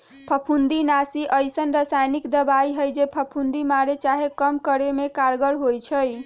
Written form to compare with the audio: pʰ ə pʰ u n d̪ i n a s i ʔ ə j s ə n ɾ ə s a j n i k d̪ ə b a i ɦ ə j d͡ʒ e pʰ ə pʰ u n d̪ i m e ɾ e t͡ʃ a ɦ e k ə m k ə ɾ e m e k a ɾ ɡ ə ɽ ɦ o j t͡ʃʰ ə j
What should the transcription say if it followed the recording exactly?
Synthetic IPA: pʰ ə pʰ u n d̪ i n a s i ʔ ə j s ə n ɾ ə s a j n i k d̪ ə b a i ɦ ə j d͡ʒ e pʰ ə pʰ u n d̪ i m a ɾ e t͡ʃ a ɦ e k ə m k ə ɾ e m e k a ɾ ɡ ə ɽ ɦ o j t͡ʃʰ ə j